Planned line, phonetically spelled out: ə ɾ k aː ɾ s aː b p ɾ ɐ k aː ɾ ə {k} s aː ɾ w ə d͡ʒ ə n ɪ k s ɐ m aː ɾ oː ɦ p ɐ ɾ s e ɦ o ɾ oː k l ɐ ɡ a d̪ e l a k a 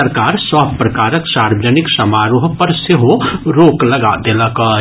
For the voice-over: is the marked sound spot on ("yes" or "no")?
yes